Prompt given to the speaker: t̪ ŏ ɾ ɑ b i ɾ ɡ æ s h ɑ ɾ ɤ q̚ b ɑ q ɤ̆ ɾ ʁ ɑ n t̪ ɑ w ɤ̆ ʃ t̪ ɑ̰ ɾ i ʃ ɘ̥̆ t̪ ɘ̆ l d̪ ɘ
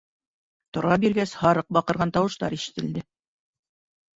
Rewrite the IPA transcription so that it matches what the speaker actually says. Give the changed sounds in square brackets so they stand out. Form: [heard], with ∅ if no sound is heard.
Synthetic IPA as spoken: t̪ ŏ ɾ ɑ b i ɾ ɡ æ s h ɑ ɾ ɤ q̚ b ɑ q ɤ̆ ɾ ʁ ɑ n t̪ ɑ w ɤ̆ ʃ t̪ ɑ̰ ɾ i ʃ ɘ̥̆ t̪ ɘ̆ l d̪ ɘ